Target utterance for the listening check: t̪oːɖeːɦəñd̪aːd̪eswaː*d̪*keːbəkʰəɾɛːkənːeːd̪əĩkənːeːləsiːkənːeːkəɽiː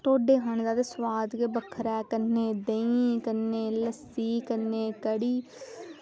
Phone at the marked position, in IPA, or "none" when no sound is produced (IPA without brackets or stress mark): d̪